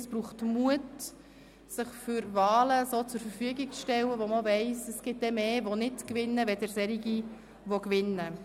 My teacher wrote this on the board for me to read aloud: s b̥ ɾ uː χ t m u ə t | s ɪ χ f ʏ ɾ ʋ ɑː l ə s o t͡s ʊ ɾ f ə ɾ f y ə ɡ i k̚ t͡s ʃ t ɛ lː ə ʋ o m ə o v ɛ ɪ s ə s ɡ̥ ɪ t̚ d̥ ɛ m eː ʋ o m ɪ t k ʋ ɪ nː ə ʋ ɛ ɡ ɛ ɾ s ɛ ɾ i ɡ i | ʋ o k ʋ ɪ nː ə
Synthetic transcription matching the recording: s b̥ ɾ uː χ t m u ə t | s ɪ χ f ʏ ɾ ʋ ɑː l ə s o t͡s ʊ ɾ f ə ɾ f y ə ɡ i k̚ t͡s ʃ t ɛ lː ə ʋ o m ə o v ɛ ɪ s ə s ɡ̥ ɪ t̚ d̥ ɛ m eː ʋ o n ɪ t k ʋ ɪ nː ə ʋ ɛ d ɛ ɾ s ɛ ɾ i ɡ i | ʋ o k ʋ ɪ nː ə